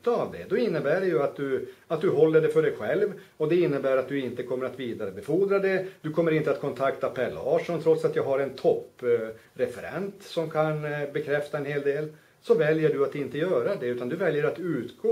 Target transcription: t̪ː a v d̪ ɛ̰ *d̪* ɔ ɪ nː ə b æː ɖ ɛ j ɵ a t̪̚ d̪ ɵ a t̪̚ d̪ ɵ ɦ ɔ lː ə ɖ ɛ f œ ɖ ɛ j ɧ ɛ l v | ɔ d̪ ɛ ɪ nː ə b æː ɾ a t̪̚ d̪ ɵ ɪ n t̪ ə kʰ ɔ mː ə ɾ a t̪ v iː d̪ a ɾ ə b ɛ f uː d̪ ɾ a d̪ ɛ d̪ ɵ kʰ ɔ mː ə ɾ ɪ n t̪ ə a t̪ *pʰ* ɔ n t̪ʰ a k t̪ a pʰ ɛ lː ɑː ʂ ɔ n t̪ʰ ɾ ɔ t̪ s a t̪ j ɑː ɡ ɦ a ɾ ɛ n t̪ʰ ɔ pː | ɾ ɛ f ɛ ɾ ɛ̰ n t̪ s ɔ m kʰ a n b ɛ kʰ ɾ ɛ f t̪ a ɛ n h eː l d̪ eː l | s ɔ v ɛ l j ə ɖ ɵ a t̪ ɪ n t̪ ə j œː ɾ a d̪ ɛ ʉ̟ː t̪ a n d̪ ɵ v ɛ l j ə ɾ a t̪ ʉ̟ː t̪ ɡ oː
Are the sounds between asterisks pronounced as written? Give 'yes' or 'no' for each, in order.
yes, no

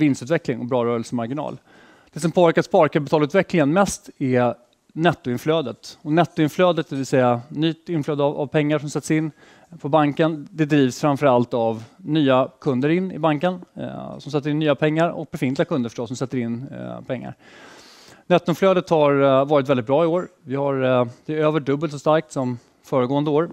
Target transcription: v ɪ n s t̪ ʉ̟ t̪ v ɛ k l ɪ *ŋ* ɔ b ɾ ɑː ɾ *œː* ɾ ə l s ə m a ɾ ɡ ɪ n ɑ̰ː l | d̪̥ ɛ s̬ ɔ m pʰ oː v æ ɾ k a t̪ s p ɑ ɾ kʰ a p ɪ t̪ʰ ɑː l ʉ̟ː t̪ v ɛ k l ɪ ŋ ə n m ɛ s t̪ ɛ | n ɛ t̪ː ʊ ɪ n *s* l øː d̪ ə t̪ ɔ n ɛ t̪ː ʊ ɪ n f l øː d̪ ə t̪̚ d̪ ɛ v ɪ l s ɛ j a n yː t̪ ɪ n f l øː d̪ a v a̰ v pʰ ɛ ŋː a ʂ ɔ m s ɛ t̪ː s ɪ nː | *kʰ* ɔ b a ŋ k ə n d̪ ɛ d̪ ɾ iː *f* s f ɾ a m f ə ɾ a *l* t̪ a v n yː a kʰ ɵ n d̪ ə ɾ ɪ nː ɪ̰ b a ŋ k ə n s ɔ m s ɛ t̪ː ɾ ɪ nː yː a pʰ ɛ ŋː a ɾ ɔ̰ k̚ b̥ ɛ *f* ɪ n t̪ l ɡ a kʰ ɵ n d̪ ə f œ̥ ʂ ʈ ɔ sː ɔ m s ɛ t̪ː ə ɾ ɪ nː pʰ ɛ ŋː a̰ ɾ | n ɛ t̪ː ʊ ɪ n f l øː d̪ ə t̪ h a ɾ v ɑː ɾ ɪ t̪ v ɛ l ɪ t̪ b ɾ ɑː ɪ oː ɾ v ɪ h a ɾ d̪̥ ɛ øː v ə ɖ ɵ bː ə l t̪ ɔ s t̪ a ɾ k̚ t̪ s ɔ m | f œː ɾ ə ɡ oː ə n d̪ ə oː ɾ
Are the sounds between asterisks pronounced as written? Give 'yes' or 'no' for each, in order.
yes, yes, no, no, no, yes, yes

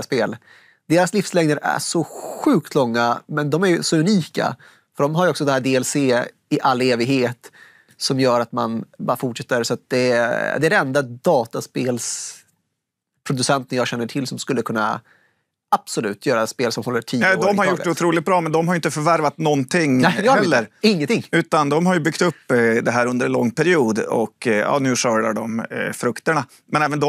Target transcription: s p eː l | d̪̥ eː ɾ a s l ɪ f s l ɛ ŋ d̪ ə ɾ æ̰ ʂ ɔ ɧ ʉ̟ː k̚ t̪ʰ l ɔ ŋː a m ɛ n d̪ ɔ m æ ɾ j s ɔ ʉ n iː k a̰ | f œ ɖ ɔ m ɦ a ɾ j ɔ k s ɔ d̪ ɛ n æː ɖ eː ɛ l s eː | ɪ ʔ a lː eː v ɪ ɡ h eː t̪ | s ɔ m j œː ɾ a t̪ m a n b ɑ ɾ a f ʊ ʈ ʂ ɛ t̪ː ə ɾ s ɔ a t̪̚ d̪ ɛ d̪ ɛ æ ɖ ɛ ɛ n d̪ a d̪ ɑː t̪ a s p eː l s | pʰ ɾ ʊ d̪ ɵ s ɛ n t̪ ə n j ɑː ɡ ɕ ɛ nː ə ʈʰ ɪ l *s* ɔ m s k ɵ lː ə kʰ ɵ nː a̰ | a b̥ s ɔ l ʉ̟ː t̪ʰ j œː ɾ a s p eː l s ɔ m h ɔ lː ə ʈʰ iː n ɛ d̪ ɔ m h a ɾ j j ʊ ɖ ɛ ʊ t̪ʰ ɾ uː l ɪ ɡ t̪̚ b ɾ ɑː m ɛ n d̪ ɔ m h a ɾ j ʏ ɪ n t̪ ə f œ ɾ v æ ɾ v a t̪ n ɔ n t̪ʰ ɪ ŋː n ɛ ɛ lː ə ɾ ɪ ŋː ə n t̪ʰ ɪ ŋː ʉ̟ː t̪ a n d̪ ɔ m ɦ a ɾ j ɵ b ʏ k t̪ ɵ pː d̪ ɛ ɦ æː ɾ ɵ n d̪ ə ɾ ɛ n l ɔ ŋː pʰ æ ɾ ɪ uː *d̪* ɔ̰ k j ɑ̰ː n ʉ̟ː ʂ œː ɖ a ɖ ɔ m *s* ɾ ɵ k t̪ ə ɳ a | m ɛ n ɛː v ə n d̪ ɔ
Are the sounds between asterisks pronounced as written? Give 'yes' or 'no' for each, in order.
yes, yes, no

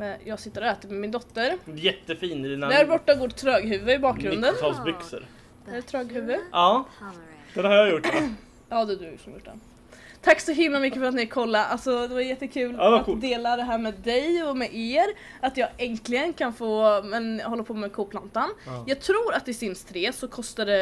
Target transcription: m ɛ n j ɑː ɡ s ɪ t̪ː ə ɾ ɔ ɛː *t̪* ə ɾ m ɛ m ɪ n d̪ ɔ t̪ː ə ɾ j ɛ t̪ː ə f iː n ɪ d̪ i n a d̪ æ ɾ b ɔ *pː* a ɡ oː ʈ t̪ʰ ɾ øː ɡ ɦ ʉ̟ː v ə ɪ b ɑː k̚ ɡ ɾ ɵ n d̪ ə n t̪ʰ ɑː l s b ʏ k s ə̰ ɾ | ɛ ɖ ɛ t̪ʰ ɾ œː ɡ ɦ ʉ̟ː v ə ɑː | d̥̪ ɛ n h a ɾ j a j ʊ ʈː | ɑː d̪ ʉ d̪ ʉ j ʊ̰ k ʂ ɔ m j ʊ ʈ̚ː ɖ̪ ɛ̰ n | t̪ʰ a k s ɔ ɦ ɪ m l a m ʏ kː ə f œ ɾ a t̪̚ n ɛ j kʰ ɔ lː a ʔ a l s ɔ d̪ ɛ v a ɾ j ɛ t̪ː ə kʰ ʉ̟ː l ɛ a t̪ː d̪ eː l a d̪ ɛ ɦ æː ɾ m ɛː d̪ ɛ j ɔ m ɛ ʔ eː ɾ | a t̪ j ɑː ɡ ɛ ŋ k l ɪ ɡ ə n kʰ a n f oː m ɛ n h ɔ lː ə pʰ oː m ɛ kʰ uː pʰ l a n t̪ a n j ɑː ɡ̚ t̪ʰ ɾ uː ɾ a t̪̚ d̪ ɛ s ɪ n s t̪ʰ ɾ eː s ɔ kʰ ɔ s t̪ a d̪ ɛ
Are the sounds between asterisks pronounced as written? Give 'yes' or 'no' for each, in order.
yes, no

